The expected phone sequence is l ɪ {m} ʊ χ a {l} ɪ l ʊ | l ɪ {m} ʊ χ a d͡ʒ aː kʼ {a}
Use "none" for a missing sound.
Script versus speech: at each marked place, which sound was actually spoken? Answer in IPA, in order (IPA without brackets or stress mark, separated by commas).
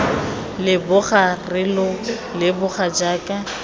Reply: b, r, b, a